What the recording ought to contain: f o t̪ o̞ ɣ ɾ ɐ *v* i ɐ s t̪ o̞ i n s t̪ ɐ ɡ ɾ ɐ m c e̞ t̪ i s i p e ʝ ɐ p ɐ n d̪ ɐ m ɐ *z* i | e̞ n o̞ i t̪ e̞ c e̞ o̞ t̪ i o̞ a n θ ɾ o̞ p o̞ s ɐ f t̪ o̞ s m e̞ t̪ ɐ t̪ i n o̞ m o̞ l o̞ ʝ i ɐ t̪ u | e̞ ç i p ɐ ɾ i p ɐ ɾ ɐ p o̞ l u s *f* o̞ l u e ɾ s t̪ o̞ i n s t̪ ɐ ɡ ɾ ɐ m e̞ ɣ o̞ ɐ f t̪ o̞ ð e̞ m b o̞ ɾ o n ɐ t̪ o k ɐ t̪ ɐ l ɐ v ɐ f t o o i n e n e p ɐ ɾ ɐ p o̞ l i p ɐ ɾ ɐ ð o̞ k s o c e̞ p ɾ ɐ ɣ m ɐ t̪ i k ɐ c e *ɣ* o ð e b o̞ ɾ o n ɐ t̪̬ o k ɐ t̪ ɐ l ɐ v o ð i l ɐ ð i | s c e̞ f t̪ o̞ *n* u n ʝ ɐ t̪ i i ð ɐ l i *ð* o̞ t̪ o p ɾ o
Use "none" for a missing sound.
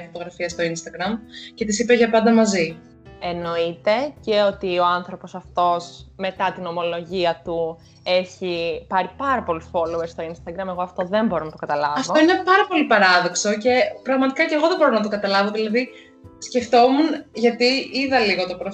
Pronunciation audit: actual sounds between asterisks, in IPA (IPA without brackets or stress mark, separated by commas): f, z, f, ɣ, m, ɣ